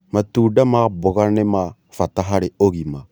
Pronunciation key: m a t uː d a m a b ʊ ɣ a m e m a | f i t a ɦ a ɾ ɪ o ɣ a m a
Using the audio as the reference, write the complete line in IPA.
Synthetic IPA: m a t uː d a m a b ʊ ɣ a n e m a | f a t a ɦ a ɾ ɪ o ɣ i m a